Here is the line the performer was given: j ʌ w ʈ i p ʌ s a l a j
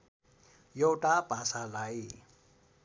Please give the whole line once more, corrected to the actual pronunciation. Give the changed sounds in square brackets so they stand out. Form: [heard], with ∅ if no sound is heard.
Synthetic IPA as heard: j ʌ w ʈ [a] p [a] s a l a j